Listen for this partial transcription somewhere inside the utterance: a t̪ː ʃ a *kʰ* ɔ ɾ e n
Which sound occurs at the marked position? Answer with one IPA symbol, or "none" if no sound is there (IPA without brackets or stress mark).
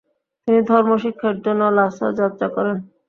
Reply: k